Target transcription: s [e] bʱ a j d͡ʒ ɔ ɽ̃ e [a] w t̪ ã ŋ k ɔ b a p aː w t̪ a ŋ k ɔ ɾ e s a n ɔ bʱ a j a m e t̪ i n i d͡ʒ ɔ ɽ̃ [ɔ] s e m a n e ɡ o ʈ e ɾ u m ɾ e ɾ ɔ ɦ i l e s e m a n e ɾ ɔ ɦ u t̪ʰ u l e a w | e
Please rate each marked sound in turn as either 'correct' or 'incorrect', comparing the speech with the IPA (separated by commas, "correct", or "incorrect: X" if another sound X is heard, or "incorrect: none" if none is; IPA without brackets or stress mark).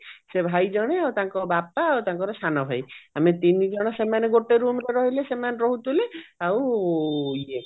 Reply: correct, correct, correct